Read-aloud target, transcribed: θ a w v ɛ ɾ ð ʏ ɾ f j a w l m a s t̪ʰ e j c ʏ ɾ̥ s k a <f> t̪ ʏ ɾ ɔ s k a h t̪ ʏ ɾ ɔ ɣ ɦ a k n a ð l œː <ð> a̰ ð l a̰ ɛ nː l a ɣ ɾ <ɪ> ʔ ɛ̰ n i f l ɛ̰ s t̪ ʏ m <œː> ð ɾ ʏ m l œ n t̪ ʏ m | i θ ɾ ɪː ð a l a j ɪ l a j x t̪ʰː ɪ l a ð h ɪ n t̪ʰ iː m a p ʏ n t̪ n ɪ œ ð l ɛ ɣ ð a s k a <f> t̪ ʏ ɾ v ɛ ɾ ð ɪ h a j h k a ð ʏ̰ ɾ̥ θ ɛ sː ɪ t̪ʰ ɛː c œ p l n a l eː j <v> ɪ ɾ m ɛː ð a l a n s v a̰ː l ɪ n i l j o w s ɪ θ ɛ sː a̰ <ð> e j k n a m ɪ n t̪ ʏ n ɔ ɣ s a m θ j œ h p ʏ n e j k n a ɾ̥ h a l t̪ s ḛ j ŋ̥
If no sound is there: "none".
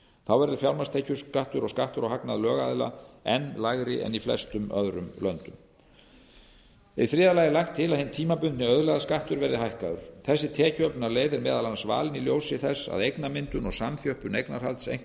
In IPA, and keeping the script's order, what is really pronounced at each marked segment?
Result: h, ɣ, ɪ, œ, h, ð, ð

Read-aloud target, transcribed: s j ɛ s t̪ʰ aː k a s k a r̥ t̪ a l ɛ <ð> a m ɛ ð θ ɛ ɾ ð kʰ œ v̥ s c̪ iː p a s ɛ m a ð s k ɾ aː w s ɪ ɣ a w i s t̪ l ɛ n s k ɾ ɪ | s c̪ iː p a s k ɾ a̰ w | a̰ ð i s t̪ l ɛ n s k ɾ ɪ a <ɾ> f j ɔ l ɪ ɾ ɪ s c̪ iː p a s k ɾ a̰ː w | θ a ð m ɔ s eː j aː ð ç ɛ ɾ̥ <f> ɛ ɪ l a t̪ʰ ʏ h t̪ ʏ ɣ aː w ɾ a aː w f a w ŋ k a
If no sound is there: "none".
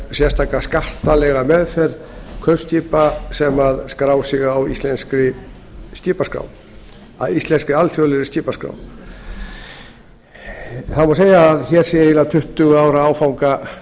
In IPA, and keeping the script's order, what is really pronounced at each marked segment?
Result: ɣ, l, s

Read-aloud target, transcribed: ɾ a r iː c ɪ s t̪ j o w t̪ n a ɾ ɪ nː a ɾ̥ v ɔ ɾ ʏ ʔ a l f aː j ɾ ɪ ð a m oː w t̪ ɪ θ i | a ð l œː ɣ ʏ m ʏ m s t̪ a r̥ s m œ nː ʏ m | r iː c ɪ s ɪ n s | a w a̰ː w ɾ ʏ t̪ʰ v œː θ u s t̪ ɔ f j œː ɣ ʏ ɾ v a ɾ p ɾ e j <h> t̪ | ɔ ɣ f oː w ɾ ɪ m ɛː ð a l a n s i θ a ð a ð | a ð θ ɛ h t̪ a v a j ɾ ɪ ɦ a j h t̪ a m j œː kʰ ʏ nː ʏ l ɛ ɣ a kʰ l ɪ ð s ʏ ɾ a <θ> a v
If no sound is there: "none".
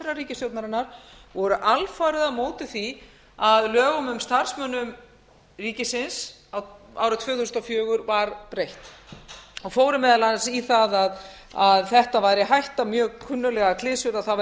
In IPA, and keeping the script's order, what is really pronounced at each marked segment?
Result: h, θ

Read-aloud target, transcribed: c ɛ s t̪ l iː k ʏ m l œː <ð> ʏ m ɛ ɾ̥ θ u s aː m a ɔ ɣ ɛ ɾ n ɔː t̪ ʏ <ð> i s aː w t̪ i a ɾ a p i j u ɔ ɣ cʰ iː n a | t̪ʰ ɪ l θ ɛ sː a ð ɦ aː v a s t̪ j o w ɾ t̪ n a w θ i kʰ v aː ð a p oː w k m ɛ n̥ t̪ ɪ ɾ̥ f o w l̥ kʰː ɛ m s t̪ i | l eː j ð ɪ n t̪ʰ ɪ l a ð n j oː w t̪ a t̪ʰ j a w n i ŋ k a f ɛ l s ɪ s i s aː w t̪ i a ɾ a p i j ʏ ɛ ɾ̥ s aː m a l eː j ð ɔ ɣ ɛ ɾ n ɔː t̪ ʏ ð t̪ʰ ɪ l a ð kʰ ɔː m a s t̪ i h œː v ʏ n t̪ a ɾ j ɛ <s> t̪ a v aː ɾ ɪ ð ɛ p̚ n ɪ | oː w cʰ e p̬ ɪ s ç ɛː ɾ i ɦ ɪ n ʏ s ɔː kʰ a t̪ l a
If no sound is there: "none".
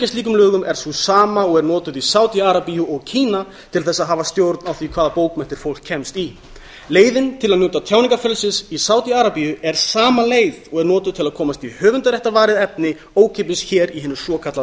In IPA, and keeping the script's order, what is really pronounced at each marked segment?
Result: ɣ, ð, h

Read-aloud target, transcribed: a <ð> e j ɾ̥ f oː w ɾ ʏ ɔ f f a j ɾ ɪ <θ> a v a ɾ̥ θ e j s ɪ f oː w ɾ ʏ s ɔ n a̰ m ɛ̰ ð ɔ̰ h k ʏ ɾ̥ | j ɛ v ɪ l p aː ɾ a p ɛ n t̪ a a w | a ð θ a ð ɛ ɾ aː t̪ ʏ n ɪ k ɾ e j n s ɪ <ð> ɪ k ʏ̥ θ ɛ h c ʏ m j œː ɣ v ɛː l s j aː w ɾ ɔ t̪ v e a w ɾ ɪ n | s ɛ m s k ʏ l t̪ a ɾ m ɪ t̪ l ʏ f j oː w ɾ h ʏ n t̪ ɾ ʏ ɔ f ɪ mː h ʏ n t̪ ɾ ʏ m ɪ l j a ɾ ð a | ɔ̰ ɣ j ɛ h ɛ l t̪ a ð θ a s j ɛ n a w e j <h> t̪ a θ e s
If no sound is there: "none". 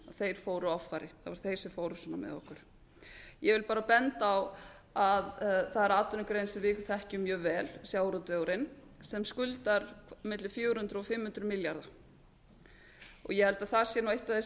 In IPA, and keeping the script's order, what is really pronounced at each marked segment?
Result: θ, θ, v, h

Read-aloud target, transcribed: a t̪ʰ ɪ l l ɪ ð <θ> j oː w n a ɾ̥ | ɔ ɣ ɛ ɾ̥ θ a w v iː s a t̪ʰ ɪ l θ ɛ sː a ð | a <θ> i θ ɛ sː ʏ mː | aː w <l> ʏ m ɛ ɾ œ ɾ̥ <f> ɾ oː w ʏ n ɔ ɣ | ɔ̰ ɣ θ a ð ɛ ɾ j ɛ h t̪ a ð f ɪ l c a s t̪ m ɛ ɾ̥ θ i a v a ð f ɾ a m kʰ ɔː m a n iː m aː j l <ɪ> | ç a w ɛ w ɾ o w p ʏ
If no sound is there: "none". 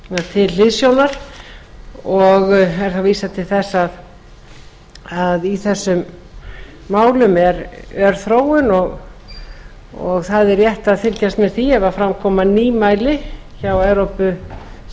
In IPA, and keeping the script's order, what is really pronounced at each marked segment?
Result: s, ð, l, θ, ɪ

